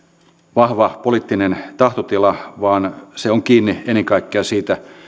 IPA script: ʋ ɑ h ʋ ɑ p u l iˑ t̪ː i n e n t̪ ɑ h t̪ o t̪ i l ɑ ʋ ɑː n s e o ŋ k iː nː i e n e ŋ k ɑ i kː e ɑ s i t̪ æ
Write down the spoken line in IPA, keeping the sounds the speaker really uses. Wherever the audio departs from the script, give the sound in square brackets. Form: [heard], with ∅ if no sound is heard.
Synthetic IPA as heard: ʋ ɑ h ʋ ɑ p [o] l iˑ t̪ː i n e n t̪ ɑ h t̪ o t̪ i l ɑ ʋ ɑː n s e o ŋ k iː nː i e n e ŋ k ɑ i kː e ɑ s [iː] t̪ æ